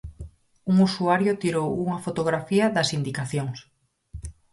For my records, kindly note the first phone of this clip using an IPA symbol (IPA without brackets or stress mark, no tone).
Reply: u